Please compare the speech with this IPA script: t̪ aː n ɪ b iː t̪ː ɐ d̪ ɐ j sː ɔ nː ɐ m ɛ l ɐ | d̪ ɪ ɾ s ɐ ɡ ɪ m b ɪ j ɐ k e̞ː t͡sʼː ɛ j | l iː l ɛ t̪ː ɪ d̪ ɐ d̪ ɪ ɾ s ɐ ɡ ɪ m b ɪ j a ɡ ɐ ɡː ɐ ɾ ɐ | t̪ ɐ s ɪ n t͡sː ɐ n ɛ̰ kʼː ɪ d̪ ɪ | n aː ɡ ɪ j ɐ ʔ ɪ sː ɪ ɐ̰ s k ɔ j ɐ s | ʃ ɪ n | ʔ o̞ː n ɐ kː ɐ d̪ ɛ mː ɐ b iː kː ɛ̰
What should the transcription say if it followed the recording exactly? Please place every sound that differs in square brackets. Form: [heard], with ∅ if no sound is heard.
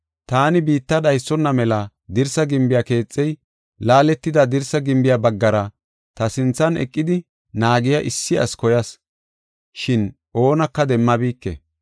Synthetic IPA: t̪ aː n ɪ b iː t̪ː ɐ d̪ ɐ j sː ɔ nː ɐ m ɛ l ɐ | d̪ ɪ ɾ s ɐ ɡ ɪ m b ɪ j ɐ k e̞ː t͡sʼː ɛ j | l [aː] l ɛ t̪ː ɪ d̪ ɐ d̪ ɪ ɾ s ɐ ɡ ɪ m b ɪ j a [b] ɐ ɡː ɐ ɾ ɐ | t̪ ɐ s ɪ n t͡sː ɐ n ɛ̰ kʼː ɪ d̪ ɪ | n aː ɡ ɪ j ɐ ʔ ɪ sː ɪ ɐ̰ s k ɔ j ɐ s | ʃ ɪ n | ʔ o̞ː n ɐ kː ɐ d̪ ɛ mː ɐ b iː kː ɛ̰